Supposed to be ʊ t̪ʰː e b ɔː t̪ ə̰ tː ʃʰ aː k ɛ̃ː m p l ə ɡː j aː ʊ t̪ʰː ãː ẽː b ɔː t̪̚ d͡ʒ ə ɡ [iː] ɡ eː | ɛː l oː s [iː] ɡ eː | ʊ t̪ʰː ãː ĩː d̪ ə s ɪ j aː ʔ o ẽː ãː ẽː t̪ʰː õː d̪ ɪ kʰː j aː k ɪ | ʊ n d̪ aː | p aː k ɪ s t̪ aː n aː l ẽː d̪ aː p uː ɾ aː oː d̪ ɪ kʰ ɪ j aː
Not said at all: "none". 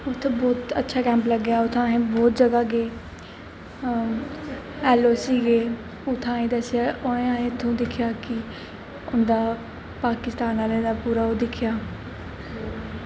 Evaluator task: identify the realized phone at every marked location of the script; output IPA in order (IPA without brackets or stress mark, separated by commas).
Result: aː, iː